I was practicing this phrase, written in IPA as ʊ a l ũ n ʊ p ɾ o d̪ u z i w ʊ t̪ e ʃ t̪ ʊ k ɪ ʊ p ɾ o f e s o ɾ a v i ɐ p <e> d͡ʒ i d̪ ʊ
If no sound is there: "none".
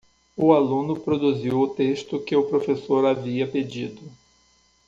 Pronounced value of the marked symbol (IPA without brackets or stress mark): e